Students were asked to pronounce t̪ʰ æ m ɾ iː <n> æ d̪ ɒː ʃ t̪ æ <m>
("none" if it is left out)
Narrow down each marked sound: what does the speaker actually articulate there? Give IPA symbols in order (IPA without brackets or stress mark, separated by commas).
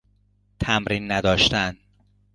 nː, n